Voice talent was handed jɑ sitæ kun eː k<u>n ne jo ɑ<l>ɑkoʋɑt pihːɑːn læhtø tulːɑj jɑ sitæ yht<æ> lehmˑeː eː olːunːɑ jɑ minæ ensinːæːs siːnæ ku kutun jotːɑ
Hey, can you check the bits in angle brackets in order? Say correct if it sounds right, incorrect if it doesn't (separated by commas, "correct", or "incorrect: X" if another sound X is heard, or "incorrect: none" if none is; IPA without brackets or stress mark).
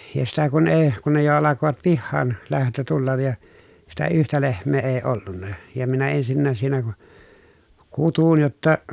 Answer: correct, correct, correct